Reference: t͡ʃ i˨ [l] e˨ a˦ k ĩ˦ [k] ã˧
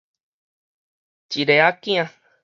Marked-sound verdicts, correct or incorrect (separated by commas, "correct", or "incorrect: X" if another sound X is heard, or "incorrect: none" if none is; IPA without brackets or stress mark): incorrect: ɾ, incorrect: none